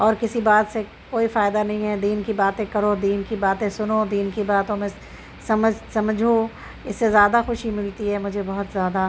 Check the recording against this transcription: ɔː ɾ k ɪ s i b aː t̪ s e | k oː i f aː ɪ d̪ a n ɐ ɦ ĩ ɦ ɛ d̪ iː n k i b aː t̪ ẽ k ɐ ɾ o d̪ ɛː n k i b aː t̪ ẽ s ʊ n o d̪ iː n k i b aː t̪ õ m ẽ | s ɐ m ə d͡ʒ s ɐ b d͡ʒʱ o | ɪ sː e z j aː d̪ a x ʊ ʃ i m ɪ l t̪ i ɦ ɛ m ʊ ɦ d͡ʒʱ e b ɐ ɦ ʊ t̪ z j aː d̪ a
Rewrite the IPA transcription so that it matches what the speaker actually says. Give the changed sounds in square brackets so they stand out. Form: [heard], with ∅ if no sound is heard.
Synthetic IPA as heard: ɔː ɾ k ɪ s i b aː t̪ s e | k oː i f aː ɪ d̪ a n ɐ ɦ ĩ ɦ ɛ d̪ iː n k i b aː t̪ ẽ k ɐ ɾ o d̪ [iː] n k i b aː t̪ ẽ s ʊ n o d̪ iː n k i b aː t̪ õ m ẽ | s ɐ m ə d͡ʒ s ɐ [m] d͡ʒʱ o | ɪ sː e z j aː d̪ a x ʊ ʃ i m ɪ l t̪ i ɦ ɛ m ʊ [∅] d͡ʒʱ e b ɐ ɦ ʊ t̪ z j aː d̪ a